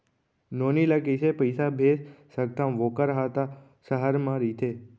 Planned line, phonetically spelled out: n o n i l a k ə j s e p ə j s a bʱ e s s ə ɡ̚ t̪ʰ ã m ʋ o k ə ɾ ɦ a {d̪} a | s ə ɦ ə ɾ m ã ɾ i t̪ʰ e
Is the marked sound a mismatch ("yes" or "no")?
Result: yes